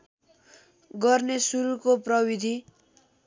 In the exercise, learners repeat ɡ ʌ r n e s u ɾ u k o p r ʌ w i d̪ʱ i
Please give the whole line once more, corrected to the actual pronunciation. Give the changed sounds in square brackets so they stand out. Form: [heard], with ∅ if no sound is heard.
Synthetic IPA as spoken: ɡ ʌ r n e s u ɾ u k o p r ʌ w i d̪ʱ i